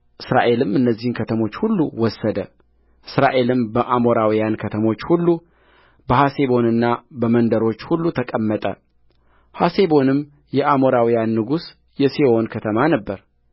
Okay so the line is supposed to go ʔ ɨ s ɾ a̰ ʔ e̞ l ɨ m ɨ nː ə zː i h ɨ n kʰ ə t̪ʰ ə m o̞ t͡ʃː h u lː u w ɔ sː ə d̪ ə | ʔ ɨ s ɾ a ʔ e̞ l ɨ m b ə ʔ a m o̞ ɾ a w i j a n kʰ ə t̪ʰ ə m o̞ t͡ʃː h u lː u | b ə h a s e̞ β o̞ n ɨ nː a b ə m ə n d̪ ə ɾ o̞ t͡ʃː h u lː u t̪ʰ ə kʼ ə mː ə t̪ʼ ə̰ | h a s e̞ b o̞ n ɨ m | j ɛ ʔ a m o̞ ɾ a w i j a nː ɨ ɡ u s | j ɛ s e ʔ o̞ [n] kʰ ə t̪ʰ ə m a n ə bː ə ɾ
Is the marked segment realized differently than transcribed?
no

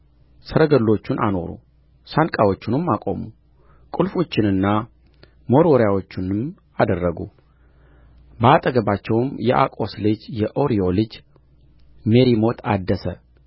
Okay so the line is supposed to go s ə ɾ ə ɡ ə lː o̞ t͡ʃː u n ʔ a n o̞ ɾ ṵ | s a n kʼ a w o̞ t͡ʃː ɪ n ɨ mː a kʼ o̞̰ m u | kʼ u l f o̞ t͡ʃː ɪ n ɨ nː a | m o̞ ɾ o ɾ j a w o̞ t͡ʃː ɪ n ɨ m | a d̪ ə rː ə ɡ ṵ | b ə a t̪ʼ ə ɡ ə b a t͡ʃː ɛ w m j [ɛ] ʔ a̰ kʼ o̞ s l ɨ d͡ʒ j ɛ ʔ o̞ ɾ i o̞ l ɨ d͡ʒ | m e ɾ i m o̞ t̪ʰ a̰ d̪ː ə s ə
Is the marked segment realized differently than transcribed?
no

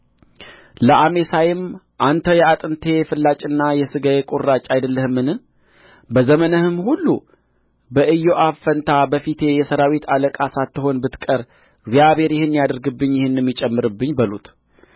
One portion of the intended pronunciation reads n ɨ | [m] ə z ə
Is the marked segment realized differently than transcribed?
yes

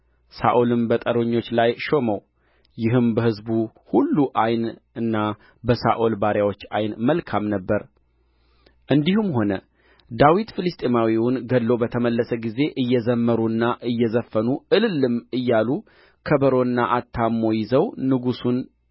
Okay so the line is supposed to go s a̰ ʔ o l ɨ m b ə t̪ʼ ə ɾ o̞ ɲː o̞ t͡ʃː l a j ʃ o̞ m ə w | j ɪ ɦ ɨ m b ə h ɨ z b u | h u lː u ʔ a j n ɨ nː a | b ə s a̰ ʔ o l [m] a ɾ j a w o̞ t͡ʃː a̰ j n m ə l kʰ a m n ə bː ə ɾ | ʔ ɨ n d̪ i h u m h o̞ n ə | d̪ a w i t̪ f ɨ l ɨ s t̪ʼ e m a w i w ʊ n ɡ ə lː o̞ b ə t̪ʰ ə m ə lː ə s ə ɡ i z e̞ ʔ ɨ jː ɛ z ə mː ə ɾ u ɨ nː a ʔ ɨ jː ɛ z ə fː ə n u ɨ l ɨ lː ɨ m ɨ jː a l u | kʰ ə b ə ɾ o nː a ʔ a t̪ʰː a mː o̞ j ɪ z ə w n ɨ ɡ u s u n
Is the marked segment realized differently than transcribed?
yes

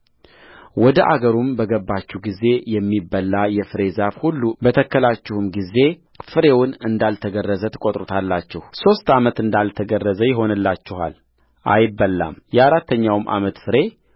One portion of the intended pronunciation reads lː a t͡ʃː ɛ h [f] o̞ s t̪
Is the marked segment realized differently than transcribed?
yes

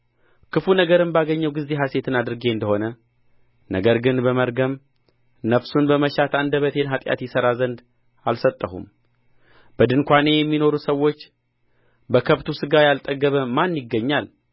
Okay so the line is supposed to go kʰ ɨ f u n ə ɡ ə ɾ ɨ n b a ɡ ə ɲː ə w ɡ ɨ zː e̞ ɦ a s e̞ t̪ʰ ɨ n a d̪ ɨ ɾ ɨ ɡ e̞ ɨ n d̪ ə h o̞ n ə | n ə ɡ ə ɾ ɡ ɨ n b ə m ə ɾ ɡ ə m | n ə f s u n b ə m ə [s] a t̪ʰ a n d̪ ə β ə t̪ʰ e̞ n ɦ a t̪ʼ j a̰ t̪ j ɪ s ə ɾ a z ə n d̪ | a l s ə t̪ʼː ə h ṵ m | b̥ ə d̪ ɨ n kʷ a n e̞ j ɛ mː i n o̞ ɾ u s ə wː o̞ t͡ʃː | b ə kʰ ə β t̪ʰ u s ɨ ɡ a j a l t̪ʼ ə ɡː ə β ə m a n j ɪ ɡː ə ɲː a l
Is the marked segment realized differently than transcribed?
yes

